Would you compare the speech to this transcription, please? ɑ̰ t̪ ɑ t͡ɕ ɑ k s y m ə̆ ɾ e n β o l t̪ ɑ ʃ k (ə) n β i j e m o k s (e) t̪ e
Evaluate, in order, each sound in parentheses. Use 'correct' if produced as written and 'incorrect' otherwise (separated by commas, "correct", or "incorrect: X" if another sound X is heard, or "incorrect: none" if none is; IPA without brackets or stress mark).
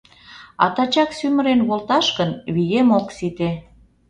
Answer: correct, incorrect: i